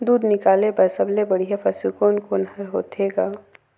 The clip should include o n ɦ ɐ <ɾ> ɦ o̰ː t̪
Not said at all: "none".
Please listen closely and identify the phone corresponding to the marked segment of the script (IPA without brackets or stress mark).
ɾ